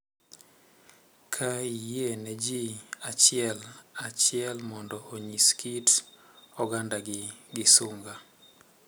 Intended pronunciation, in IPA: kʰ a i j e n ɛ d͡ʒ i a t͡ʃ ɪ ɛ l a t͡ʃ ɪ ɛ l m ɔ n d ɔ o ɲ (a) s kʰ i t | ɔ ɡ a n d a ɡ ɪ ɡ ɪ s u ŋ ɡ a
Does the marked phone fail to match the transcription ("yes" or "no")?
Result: yes